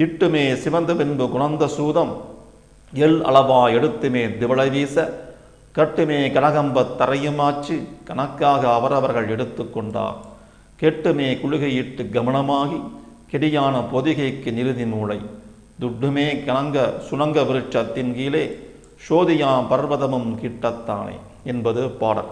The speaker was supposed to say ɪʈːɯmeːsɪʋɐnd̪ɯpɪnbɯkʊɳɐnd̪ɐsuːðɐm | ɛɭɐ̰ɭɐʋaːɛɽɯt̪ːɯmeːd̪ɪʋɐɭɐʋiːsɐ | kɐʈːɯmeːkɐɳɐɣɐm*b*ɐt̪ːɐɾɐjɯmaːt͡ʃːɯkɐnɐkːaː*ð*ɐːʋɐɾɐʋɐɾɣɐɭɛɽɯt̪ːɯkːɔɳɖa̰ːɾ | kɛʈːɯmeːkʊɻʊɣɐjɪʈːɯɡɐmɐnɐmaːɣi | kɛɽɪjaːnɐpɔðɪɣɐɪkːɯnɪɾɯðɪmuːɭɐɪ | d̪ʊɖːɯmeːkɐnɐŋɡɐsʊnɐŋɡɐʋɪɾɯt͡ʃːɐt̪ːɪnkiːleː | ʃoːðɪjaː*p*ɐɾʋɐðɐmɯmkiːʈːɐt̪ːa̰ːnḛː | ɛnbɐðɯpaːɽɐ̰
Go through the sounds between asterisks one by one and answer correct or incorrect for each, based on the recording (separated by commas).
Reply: correct, incorrect, correct